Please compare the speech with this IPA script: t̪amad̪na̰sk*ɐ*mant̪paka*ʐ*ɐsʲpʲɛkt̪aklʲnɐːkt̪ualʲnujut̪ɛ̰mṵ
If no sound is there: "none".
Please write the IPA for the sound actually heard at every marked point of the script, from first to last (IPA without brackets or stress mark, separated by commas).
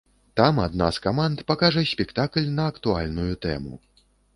a, ʐ